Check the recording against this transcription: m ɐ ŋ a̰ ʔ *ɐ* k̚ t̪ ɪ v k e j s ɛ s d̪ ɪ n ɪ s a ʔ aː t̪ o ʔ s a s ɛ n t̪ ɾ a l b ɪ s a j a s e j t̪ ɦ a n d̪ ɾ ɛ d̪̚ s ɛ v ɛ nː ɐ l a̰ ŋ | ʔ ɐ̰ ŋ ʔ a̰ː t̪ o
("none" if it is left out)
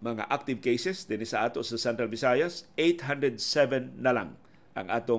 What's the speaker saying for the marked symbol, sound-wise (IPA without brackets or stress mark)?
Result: a